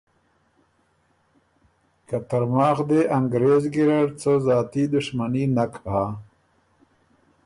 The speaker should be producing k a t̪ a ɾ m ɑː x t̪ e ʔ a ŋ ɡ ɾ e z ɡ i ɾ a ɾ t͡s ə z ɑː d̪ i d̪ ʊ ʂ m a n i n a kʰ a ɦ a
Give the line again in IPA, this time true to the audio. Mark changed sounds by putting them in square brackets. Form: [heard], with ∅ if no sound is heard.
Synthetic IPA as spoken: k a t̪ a ɾ m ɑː x [d̪] e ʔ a ŋ ɡ ɾ e z ɡ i ɾ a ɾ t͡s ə z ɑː [t̪] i d̪ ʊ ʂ m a n i n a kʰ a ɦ a